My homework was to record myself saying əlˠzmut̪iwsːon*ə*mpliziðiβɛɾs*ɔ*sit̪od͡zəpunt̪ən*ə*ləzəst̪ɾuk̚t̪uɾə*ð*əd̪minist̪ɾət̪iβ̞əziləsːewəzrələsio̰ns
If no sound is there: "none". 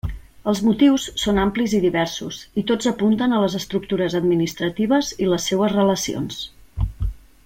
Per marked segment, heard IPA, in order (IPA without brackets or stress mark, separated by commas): a, u, ə, z